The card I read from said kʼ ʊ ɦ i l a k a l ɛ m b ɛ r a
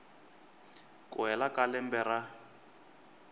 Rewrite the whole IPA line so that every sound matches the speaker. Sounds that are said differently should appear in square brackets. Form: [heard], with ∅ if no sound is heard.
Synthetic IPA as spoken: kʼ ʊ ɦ [ɛ] l a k a l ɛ m b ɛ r a